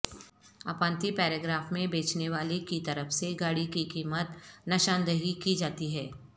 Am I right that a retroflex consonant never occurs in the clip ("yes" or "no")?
no